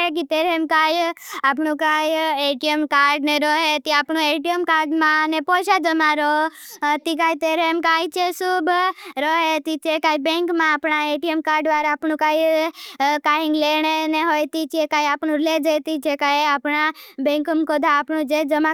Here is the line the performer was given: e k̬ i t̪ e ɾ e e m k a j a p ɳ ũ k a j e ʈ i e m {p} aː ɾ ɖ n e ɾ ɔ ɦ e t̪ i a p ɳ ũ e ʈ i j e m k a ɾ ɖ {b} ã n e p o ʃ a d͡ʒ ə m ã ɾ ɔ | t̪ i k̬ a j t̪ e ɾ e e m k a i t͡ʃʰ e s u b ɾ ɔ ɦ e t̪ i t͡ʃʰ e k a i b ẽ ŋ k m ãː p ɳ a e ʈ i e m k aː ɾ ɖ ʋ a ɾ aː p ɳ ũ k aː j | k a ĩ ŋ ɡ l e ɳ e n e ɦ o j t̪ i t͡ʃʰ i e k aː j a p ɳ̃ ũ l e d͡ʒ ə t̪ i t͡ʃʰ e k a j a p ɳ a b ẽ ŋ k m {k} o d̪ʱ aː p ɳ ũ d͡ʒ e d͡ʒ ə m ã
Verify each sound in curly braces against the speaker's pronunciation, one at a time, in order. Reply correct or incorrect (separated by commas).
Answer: incorrect, incorrect, correct